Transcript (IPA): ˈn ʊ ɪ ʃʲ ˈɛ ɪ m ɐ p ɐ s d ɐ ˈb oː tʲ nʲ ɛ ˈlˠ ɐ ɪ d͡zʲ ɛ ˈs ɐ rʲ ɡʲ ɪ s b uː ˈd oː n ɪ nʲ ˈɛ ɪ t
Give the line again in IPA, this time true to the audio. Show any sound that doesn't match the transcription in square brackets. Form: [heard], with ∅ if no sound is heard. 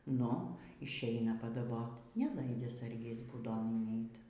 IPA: ˈn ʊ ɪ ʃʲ ˈɛ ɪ [n] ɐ p ɐ [∅] d ɐ ˈb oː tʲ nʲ ɛ ˈlˠ ɐ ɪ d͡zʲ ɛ ˈs ɐ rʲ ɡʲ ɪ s b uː ˈd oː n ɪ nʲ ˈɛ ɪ t

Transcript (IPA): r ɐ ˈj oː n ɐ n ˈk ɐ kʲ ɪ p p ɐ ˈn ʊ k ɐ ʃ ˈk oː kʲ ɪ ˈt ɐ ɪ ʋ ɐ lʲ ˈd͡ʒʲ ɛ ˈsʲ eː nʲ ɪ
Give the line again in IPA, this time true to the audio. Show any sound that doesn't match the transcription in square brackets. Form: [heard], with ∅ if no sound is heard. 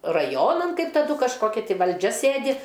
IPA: r ɐ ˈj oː n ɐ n ˈk ɐ [∅] ɪ p [t] ɐ [ˈd] ʊ k ɐ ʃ ˈk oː kʲ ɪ ˈt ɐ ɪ ʋ ɐ lʲ ˈd͡ʒʲ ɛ ˈsʲ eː [dʲ] ɪ

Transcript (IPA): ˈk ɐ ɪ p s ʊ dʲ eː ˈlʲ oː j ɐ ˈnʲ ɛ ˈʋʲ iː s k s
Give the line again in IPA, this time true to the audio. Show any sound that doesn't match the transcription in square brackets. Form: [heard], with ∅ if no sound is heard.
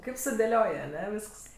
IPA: ˈk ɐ ɪ p s ʊ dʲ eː ˈlʲ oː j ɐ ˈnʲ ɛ ˈʋʲ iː s k s

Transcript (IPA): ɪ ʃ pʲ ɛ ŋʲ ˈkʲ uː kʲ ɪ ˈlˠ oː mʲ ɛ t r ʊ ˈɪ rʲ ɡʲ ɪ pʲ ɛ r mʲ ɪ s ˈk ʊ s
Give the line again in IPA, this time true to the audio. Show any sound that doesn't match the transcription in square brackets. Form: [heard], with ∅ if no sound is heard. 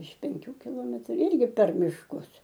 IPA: ɪ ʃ pʲ ɛ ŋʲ ˈkʲ uː kʲ ɪ ˈlˠ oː mʲ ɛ t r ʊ ˈɪ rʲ ɡʲ ɪ pʲ ɛ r mʲ ɪ [ʃ] ˈk ʊ s

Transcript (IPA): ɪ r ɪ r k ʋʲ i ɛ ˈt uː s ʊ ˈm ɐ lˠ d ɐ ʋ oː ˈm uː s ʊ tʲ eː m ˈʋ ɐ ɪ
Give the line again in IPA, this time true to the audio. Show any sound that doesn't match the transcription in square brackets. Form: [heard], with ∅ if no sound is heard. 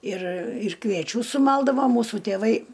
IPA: ɪ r ɪ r k ʋʲ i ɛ [ˈt͡ʃʲ] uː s ʊ ˈm ɐ lˠ d ɐ ʋ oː ˈm uː s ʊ tʲ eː [∅] ˈʋ ɐ ɪ

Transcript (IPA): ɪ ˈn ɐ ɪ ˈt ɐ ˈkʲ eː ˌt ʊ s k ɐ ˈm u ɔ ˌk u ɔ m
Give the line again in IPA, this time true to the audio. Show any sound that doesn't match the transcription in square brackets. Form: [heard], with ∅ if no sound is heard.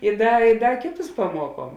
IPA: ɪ [ˈd] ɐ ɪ [ˈd] ɐ ˈkʲ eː ˌt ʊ s [p] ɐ ˈm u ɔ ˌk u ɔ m

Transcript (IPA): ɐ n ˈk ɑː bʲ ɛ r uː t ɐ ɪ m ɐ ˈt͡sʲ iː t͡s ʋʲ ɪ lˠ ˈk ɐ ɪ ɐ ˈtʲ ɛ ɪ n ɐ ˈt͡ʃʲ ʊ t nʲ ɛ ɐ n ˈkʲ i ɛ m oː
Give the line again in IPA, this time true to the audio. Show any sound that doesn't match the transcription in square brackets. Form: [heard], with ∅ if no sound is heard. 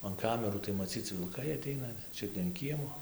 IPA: ɐ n ˈk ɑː [mʲ] ɛ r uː t ɐ ɪ m ɐ ˈt͡sʲ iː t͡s ʋʲ ɪ lˠ ˈk ɐ ɪ ɐ ˈtʲ ɛ ɪ n ɐ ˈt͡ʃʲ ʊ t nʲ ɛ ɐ n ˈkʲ i ɛ m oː

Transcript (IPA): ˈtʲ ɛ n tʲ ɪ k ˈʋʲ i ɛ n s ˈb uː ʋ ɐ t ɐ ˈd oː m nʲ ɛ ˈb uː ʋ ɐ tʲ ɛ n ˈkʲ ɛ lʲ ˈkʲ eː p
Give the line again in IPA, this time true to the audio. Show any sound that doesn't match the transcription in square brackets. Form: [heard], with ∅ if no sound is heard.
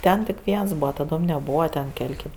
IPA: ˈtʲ ɛ n tʲ ɪ k ˈʋʲ i ɛ n s ˈb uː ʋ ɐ t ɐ ˈd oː m nʲ ɛ ˈb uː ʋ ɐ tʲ ɛ n ˈkʲ ɛ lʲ ˈkʲ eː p

